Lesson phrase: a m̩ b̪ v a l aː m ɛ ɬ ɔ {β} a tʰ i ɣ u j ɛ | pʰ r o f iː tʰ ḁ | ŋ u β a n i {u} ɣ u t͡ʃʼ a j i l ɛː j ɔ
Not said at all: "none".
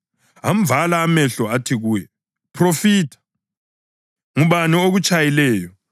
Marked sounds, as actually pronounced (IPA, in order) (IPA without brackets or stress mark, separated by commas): none, o